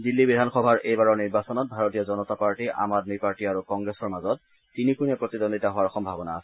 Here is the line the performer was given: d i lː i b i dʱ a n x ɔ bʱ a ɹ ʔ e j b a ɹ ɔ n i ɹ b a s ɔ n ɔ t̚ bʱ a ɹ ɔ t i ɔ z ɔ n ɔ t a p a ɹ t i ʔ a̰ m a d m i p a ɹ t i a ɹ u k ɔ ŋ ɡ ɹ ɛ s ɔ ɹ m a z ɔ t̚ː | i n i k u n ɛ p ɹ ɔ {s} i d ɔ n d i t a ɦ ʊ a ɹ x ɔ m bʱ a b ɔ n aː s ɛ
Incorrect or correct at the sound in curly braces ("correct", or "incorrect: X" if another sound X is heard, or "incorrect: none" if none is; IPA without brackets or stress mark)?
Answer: incorrect: t